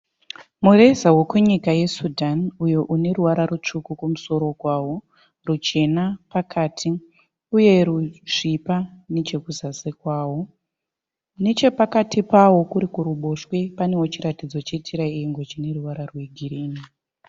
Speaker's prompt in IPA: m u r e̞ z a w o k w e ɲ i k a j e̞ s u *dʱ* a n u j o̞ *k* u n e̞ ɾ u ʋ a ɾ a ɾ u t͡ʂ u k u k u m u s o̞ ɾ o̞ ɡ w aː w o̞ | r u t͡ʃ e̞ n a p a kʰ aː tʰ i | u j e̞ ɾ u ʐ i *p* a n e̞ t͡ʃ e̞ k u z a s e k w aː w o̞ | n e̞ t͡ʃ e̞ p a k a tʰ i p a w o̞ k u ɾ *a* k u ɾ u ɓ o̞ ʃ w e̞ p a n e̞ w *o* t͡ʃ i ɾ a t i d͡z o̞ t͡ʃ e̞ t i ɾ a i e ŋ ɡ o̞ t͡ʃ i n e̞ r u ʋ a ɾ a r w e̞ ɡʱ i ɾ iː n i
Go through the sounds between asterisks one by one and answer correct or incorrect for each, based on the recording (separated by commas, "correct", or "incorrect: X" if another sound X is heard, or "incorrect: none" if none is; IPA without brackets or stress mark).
correct, incorrect: ʔ, correct, incorrect: i, correct